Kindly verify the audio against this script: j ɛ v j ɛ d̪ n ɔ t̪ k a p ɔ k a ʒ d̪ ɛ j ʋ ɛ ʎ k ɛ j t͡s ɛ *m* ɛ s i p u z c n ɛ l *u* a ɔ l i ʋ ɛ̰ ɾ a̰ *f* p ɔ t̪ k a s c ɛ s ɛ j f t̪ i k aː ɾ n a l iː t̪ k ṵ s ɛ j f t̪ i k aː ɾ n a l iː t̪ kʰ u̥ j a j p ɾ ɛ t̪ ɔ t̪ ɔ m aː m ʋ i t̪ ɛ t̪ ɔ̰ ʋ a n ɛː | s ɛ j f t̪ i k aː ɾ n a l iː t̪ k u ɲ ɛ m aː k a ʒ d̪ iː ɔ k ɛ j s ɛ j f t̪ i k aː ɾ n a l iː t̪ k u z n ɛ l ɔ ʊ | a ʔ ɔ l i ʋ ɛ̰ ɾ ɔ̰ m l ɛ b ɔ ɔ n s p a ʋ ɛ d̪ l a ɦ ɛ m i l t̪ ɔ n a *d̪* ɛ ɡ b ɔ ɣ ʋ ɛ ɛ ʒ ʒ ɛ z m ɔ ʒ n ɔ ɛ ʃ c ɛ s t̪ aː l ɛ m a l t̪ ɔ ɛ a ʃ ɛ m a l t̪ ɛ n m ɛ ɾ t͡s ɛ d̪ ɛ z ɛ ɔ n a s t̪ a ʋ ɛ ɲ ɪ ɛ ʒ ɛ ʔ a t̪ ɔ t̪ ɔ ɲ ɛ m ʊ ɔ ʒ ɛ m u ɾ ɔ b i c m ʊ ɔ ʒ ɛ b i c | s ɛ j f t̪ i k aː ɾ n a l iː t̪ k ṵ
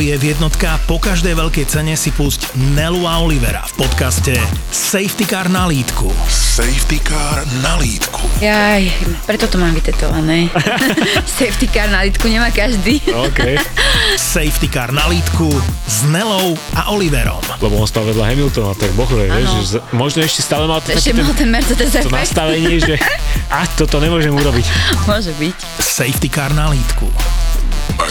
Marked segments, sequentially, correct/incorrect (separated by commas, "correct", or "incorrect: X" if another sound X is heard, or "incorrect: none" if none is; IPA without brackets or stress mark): incorrect: ɲ, correct, correct, incorrect: t̪